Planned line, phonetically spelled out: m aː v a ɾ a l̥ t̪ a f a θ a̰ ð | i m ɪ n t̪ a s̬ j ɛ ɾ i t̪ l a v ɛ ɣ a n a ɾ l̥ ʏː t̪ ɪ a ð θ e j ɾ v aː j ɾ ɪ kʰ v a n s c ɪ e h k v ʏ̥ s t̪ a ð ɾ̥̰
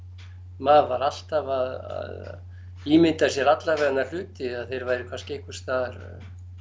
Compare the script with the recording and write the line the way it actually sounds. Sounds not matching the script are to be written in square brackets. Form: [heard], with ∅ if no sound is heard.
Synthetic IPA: m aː v a ɾ a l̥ t̪ a [v] a [ð] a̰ ð | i m ɪ n t̪ a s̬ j ɛ ɾ [a] t̪ l a v ɛ ɣ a n a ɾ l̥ ʏː t̪ ɪ a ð θ e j ɾ v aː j ɾ ɪ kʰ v a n s c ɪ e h k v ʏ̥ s t̪ a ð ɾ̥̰